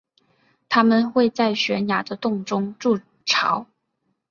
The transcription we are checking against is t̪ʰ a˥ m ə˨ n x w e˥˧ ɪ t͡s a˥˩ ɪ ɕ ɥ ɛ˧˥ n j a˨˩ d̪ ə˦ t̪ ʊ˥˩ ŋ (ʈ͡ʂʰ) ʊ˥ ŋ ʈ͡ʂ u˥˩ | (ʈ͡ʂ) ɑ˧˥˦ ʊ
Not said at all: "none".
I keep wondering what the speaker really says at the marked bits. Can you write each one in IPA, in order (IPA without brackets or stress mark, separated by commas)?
ʈ͡ʂ, ʈ͡ʂʰ